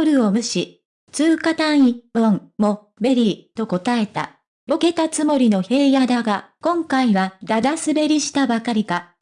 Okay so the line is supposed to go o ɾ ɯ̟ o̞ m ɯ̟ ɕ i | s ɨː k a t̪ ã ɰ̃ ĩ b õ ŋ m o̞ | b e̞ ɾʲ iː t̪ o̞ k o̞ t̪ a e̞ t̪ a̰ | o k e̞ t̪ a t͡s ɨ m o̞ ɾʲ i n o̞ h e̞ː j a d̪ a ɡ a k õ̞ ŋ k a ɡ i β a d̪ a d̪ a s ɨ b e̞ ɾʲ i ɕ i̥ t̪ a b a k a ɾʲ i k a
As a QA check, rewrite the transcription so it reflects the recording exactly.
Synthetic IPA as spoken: o ɾ ɯ̟ o̞ m ɯ̟ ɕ i | t͡s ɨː k a t̪ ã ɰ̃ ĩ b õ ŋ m o̞ | b e̞ ɾʲ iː t̪ o̞ k o̞ t̪ a e̞ t̪ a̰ | o k e̞ t̪ a t͡s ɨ m o̞ ɾʲ i n o̞ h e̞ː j a d̪ a ɡ a k õ̞ ŋ k a i β a d̪ a d̪ a s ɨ b e̞ ɾʲ i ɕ i̥ t̪ a b a k a ɾʲ i k a